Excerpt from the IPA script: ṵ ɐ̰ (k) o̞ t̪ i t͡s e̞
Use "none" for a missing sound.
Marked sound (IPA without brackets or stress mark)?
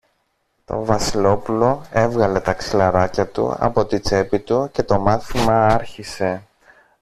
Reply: p